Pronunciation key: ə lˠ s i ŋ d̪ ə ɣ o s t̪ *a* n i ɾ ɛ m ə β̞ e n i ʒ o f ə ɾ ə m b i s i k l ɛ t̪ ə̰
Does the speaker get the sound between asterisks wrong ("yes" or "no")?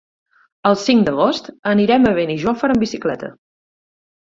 yes